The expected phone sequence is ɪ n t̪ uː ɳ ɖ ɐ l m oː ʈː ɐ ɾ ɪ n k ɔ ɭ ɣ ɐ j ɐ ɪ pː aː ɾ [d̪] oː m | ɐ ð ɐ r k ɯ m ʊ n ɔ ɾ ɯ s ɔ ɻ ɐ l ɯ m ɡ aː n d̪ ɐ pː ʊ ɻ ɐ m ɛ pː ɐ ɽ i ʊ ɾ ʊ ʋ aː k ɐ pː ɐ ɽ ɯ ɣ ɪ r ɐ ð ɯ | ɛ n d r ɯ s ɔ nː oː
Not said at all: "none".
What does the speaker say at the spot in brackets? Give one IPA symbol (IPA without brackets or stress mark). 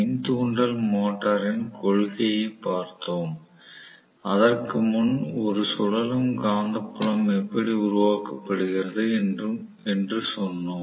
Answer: t̪